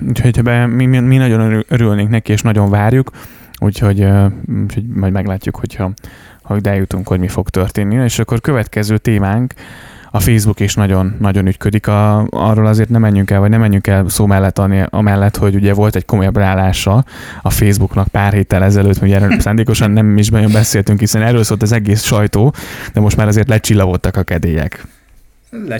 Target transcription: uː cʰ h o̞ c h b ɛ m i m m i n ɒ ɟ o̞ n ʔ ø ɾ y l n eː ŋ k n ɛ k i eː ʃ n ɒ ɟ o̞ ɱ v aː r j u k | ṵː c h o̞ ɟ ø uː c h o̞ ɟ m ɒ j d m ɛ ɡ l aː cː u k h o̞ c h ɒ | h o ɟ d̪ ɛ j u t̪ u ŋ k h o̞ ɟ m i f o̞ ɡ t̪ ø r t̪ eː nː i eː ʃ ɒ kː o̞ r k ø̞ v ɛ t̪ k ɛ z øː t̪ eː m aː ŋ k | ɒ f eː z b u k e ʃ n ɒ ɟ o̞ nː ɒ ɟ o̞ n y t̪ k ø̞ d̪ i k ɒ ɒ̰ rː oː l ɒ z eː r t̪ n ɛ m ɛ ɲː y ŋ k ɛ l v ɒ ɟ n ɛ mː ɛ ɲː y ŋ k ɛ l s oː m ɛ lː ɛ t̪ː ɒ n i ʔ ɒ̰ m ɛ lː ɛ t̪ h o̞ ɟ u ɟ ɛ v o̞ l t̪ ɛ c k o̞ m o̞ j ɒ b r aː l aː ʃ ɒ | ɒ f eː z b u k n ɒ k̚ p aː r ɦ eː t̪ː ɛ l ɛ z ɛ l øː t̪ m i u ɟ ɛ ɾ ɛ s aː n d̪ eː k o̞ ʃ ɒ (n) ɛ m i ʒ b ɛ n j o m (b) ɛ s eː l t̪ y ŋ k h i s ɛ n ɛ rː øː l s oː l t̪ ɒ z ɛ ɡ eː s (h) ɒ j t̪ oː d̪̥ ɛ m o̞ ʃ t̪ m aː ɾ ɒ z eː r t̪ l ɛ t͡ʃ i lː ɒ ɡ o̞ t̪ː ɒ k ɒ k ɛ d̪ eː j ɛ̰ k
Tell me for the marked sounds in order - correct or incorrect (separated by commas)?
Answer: incorrect, correct, incorrect